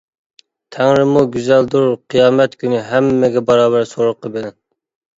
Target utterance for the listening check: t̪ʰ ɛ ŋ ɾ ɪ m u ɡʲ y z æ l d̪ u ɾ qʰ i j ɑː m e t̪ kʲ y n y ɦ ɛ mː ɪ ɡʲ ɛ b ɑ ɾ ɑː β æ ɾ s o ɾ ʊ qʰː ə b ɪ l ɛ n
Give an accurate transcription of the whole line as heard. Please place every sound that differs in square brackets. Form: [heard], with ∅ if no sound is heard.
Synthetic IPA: t̪ʰ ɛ ŋ ɾ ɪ m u ɡʲ y z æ l d̪ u ɾ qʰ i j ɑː m [ɛ] t̪ kʲ y n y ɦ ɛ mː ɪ ɡʲ ɛ b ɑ ɾ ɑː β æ ɾ s o ɾ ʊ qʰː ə b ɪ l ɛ n